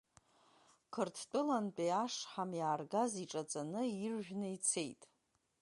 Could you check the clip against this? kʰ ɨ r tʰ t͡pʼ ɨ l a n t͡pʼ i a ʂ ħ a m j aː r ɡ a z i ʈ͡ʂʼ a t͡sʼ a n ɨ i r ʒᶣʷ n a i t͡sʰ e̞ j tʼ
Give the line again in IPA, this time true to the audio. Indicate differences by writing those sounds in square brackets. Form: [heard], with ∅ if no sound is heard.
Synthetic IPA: kʰ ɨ r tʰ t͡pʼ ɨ l a n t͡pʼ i a ʂ ħ a m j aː r ɡ a z i ʈ͡ʂʼ a t͡sʼ a n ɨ i r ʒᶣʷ n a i t͡sʰ e̞ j tʼ